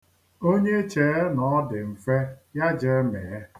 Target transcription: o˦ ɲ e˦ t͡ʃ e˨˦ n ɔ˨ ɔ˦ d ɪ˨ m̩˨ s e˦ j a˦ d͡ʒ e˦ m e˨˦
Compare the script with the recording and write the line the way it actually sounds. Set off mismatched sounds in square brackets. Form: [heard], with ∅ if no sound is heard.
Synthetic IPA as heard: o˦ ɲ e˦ t͡ʃ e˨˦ n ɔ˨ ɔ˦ d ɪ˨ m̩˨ [f] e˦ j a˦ d͡ʒ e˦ m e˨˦